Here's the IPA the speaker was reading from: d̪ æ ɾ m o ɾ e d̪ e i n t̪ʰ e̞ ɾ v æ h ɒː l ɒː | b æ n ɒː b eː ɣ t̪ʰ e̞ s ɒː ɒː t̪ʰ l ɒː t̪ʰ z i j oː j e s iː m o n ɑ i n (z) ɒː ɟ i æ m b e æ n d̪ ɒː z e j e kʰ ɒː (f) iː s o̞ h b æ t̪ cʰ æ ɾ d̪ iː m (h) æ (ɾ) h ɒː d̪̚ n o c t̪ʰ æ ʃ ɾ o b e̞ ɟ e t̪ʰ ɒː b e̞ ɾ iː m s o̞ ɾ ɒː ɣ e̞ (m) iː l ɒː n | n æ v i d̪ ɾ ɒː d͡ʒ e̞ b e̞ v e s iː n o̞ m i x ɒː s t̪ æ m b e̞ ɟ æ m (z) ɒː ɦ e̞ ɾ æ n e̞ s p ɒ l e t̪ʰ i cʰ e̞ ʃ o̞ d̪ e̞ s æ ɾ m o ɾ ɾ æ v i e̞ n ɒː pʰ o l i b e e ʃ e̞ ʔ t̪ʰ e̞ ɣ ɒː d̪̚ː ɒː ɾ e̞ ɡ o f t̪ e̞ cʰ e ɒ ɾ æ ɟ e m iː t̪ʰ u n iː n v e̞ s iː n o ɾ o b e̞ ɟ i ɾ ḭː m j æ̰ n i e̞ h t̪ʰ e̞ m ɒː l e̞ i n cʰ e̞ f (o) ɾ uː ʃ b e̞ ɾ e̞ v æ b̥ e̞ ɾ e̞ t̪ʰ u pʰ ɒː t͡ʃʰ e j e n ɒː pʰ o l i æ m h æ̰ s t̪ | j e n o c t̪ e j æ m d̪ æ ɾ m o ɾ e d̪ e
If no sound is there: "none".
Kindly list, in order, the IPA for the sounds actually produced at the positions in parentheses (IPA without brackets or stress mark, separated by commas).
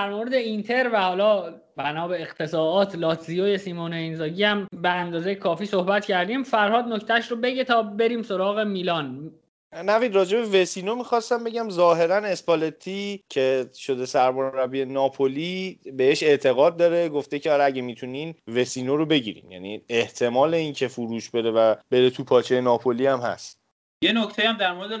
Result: z, f, f, ɾ, m, z, u